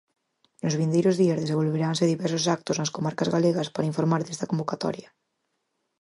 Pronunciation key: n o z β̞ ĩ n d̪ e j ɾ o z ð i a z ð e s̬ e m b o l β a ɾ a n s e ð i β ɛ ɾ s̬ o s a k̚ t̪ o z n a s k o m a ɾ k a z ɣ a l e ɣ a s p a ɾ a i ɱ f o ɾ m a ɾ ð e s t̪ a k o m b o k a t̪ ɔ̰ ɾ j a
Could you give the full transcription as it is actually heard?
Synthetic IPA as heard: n o z β̞ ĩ n d̪ e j ɾ o z ð i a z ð e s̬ e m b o l β e ɾ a n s e ð i β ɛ ɾ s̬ o s a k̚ t̪ o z n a s k o m a ɾ k a z ɣ a l e ɣ a s p a ɾ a i ɱ f o ɾ m a ɾ ð e s t̪ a k o m b o k a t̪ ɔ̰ ɾ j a

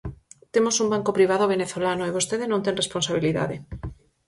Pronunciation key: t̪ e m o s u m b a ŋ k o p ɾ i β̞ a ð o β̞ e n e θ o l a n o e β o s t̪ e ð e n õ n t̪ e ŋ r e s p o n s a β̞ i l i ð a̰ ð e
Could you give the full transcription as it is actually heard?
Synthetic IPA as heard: t̪ e m o s u m b a ŋ k o p ɾ i β̞ a ð o β̞ e n e θ o l a n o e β o s t̪ e ð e n õ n t̪ e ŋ r e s p o n s a β̞ i l i ð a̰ ð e

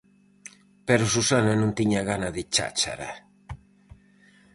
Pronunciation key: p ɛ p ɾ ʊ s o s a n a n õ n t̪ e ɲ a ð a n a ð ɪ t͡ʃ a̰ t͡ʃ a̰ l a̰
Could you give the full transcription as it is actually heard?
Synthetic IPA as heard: p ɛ ɾ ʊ s u s a n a n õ n t̪ i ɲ a ɣ a n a ð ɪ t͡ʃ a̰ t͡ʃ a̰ ɾ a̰

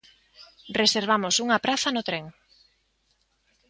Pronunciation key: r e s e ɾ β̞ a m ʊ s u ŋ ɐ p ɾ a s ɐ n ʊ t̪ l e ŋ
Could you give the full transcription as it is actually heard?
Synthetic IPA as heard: r e s e ɾ β̞ a m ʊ s u ŋ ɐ p ɾ a θ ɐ n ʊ t̪ ɾ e ŋ

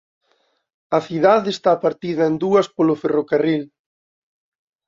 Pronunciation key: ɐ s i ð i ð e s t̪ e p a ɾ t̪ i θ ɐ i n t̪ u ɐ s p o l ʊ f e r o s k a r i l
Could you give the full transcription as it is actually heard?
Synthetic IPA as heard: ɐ θ i ð a ð e s t̪ a p a ɾ t̪ i ð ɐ e n d̪ u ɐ s p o l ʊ f e r o k a r i l

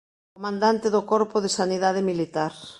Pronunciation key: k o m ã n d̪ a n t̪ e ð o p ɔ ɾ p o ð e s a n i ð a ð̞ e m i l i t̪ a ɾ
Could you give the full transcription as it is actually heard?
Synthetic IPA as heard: k o m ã n d̪ a n t̪ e ð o k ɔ ɾ p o ð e s a n i ð a ð̞ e m i l i t̪ a ɾ

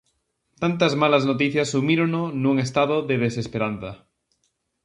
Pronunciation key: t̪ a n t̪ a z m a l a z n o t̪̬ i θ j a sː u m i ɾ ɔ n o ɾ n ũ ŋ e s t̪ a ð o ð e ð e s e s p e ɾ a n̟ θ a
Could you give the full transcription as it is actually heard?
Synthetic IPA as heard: t̪ a n t̪ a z m a l a z n o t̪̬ i θ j a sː u m i ɾ o n o n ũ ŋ e s t̪ a ð o ð e ð e s e s p e ɾ a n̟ θ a

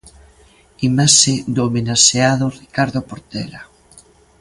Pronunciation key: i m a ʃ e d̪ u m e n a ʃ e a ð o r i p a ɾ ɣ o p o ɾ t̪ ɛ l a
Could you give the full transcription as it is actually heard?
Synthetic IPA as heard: i m a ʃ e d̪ o m e n a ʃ e a ð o r i k a ɾ ð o p o ɾ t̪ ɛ l a

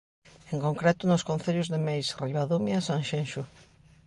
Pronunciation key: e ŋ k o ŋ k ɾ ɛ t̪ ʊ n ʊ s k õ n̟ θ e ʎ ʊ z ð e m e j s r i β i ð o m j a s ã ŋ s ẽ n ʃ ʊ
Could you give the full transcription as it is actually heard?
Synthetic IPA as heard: e ŋ k o ŋ k ɾ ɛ t̪ ʊ n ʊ s k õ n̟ θ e ʎ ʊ z ð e m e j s r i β a ð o m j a s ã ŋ ʃ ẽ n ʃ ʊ

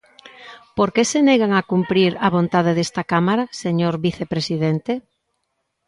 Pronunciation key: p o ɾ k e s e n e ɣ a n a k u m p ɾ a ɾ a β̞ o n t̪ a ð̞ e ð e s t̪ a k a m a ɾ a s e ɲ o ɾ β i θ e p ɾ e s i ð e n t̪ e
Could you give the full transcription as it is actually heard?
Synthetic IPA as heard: p o ɾ k e s e n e ɣ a ŋ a k u m p ɾ i ɾ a β̞ o n t̪ a ð̞ e ð e s t̪ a k a m a ɾ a s e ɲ o ɾ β i θ e p ɾ e s i ð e n t̪ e

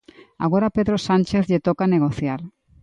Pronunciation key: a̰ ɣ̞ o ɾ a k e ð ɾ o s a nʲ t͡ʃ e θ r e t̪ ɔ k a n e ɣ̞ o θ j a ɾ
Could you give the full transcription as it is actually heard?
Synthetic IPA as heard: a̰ ɣ̞ o ɾ a p e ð ɾ o s a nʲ t͡ʃ e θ ʎ e t̪ o k a n e ɣ̞ o θ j a ɾ

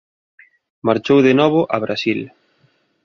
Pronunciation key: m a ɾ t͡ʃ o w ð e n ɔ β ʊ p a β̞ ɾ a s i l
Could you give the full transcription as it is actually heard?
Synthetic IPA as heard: m a ɾ t͡ʃ o w ð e n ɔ β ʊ ʔ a β̞ ɾ a s i l

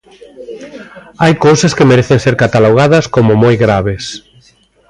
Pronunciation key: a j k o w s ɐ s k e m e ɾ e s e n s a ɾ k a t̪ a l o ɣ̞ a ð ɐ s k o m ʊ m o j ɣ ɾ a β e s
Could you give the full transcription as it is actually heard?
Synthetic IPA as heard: a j k o w s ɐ s k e m e ɾ e θ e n s e ɾ k a t̪ a l o ɣ̞ a ð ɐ s k o m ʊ m o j ɣ ɾ a β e s

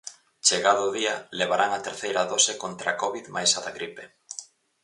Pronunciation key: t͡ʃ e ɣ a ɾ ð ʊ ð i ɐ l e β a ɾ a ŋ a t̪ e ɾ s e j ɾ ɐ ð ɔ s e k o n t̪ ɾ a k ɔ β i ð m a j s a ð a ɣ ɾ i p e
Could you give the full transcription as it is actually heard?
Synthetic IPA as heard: t͡ʃ e ɣ a ð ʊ ð i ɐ l e β a ɾ a ŋ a t̪ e ɾ θ e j ɾ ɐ ð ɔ s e k o n t̪ ɾ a k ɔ β i ð m a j s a ð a ɣ ɾ i p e

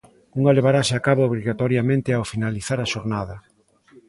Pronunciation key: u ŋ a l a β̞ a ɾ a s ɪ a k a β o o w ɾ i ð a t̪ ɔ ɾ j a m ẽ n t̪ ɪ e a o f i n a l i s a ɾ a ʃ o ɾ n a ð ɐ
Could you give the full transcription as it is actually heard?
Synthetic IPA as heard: u ŋ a l e β̞ a ɾ a s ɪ a k a β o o β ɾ i ɣ a t̪ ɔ ɾ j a m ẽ n t̪ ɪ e a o f i n a l i θ a ɾ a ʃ o ɾ n a ð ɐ

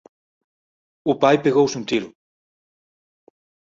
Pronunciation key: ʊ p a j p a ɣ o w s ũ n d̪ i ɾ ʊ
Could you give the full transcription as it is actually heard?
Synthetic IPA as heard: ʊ p a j p e ɣ o w s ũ n t̪ i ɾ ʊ

